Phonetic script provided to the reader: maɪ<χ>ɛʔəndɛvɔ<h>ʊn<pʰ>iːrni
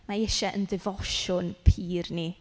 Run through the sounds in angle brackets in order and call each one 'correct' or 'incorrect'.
incorrect: ʃ, incorrect: ʃ, correct

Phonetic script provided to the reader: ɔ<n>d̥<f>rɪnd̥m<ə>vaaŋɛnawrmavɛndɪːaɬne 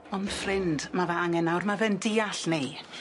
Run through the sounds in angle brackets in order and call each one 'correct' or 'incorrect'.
correct, correct, incorrect: a

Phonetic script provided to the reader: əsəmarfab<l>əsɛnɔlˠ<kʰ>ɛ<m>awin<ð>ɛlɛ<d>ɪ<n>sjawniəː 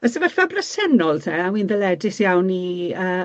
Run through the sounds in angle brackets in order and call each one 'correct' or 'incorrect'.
incorrect: r, incorrect: tʰ, incorrect: none, correct, correct, incorrect: none

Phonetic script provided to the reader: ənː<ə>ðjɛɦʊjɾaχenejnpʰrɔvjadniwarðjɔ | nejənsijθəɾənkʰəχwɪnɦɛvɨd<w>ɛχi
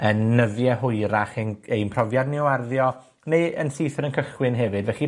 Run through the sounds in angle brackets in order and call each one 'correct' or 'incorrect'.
correct, incorrect: v

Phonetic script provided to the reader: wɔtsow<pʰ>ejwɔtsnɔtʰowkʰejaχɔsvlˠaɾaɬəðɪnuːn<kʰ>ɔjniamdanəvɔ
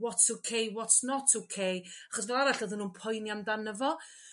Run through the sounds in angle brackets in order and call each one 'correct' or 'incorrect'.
incorrect: kʰ, incorrect: pʰ

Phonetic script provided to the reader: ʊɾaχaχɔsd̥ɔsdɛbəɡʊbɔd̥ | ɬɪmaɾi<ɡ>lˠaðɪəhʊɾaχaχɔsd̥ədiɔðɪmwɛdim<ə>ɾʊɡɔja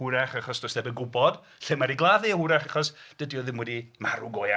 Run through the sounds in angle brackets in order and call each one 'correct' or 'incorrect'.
correct, incorrect: a

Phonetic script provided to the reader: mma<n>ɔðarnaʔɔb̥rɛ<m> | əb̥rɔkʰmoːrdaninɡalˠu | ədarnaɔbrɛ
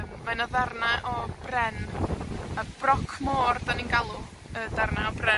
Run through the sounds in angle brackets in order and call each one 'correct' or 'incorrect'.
correct, incorrect: n

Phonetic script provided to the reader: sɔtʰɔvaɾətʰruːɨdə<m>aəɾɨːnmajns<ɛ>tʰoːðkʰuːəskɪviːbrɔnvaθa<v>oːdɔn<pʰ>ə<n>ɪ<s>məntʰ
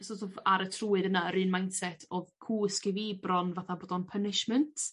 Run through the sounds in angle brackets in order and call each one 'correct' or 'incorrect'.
incorrect: n, correct, incorrect: b, correct, correct, incorrect: ʃ

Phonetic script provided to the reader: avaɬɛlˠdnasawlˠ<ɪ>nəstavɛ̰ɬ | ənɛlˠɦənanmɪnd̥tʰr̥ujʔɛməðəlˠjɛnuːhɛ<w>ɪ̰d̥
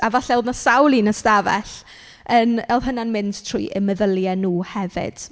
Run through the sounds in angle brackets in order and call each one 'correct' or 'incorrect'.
incorrect: i, incorrect: v

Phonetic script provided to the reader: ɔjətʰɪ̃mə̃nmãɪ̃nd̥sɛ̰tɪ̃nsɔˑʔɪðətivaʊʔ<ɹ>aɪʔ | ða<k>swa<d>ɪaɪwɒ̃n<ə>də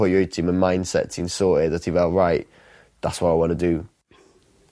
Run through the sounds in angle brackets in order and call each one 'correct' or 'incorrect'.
correct, incorrect: t, incorrect: none, correct

